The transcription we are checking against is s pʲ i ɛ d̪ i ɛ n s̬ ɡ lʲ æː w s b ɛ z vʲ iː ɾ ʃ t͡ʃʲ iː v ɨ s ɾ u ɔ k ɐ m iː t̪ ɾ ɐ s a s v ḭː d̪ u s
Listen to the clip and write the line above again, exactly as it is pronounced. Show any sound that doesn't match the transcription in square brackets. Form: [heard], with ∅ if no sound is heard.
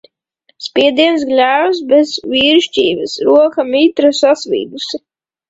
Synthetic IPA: s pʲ i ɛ d̪ i ɛ n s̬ ɡ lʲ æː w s b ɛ z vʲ iː ɾ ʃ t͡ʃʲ iː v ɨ s ɾ u ɔ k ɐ m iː t̪ ɾ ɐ s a s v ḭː d̪ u s